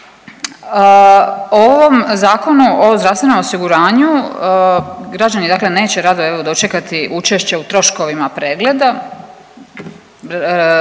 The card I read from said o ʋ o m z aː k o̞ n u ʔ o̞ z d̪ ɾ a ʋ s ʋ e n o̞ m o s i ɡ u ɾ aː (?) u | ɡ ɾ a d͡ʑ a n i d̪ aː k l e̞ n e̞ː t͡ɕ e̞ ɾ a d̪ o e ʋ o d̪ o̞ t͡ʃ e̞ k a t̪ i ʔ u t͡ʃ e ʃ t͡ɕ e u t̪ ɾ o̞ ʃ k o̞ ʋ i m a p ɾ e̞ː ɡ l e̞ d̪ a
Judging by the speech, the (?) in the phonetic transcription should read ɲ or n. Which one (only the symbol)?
ɲ